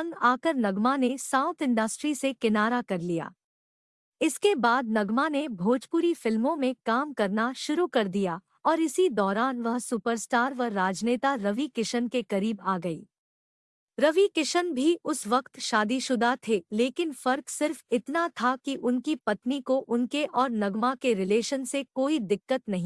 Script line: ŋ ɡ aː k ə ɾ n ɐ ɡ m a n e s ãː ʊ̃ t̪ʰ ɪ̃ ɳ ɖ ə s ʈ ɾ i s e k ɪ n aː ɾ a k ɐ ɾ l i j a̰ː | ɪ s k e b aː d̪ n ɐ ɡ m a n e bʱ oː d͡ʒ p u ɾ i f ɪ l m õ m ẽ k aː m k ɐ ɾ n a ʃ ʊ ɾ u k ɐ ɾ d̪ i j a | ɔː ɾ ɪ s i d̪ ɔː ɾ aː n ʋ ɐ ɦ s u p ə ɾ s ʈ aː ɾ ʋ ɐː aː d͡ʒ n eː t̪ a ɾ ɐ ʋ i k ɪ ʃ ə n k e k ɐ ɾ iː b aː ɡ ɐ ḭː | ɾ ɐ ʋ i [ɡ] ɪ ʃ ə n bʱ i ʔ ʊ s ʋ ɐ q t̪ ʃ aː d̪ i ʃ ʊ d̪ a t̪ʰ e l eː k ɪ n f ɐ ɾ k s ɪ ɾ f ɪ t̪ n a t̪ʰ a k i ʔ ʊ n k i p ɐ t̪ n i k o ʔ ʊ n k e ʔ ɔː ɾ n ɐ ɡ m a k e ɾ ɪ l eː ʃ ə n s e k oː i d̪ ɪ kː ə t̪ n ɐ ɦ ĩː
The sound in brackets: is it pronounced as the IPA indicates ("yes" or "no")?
no